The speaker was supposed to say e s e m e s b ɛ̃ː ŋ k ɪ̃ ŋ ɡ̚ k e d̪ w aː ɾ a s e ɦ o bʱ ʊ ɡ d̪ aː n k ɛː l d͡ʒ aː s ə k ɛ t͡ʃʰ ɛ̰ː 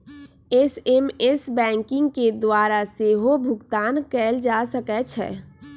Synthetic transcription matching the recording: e s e m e s b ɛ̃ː ŋ k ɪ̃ ŋ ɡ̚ k e d̪ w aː ɾ a s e ɦ o bʱ ʊ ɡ t̪ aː n k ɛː l d͡ʒ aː s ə k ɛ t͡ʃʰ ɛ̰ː